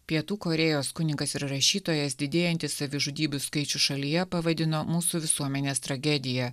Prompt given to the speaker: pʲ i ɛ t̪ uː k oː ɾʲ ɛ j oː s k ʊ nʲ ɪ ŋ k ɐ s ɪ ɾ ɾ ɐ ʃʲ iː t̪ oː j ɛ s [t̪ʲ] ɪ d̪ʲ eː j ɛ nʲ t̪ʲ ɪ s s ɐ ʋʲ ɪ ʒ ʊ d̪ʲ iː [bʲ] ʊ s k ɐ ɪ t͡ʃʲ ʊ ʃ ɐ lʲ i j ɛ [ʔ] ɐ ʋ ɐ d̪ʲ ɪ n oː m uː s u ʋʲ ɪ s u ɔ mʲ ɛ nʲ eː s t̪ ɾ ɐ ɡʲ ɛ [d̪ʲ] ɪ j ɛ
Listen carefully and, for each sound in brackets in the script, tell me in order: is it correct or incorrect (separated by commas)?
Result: incorrect, correct, incorrect, correct